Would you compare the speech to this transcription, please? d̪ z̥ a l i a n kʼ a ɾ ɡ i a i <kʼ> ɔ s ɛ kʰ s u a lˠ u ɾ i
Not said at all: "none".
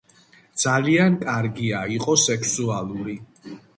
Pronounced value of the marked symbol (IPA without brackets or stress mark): qʼ